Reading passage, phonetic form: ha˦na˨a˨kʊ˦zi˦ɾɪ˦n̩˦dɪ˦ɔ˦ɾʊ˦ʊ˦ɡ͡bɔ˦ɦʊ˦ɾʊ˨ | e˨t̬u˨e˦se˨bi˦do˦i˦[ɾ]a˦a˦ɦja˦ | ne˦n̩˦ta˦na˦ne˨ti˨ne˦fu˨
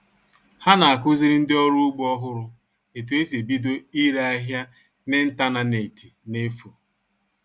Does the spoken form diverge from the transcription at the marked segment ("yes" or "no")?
no